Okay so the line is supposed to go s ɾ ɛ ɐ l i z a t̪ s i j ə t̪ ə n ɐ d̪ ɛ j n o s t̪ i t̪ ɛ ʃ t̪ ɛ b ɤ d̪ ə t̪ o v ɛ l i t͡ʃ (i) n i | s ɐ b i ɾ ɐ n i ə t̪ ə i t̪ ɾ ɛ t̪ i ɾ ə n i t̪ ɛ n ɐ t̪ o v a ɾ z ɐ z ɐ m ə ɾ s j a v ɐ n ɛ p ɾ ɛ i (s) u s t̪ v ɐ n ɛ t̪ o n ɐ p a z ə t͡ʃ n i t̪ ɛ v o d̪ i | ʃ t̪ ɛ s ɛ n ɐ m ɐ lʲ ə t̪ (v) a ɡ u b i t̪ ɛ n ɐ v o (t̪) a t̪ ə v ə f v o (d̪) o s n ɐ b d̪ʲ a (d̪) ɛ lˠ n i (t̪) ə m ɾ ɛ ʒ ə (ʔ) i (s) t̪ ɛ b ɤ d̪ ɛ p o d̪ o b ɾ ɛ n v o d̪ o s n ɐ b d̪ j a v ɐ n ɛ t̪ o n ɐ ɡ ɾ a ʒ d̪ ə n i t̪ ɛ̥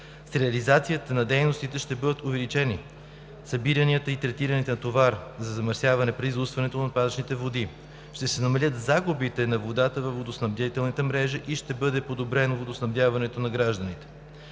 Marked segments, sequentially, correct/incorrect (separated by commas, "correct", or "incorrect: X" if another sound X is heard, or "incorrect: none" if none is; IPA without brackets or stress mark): incorrect: ɛ, incorrect: z, incorrect: z, incorrect: d̪, correct, incorrect: t̪, correct, correct, incorrect: ʃ